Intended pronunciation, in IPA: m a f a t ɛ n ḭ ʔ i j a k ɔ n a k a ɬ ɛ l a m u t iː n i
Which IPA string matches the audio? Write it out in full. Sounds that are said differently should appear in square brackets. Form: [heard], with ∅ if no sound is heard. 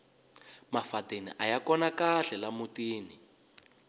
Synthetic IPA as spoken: m a f a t [e] n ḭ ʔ [a] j a k ɔ n a k a ɬ ɛ l a m u t iː n i